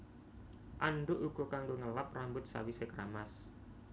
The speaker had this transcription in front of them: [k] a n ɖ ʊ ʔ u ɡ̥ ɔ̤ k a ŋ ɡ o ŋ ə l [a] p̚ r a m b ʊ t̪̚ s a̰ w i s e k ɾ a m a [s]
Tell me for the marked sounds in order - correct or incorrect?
incorrect, correct, correct

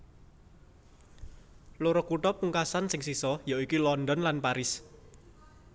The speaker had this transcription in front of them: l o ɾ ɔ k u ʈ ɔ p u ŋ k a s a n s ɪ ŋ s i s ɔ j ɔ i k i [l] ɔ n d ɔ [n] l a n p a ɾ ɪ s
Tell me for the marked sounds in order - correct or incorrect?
correct, correct

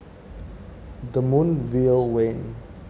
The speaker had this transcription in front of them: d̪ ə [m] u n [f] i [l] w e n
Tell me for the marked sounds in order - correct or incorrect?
correct, incorrect, correct

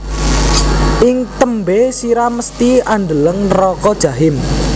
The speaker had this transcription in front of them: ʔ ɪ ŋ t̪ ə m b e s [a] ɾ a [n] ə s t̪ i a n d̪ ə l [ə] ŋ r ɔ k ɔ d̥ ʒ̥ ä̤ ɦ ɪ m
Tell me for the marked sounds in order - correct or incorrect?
incorrect, incorrect, correct

